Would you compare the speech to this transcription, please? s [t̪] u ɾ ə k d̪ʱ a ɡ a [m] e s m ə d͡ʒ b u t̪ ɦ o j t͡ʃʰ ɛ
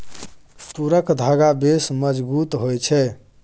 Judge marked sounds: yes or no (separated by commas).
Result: yes, no